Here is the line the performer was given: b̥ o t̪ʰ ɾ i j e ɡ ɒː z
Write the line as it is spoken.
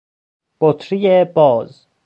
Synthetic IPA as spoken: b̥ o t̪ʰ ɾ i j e b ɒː z